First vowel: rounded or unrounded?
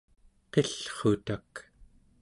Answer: unrounded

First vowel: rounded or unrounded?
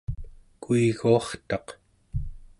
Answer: rounded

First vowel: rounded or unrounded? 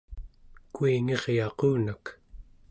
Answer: rounded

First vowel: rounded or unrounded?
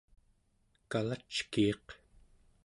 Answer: unrounded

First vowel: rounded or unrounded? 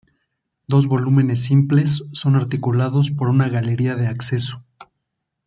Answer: rounded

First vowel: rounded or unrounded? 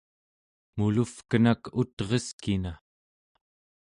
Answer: rounded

